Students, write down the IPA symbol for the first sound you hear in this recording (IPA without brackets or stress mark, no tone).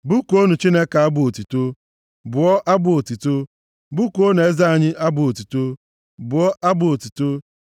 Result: b